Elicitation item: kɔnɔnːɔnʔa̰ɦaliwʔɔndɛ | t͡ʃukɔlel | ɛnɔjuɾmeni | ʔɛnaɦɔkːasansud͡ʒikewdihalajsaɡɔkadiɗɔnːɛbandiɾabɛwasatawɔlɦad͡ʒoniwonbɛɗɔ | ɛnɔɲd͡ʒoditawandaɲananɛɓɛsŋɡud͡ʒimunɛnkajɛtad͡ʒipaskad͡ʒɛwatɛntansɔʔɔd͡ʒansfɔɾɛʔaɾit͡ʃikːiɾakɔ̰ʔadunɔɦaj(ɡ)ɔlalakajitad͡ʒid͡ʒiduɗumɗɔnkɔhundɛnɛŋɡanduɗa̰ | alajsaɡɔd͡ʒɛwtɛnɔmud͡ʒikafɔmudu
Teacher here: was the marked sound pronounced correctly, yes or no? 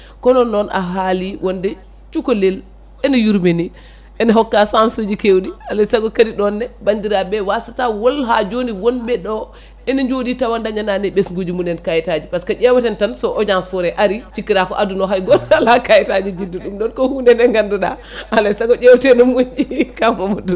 yes